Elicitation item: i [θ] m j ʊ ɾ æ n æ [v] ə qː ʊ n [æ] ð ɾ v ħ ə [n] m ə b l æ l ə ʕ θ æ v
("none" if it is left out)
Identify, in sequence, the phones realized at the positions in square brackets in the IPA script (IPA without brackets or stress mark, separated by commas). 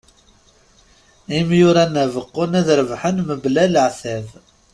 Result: none, v, æ, n